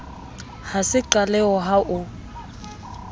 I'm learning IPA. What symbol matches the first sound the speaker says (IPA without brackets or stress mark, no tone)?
h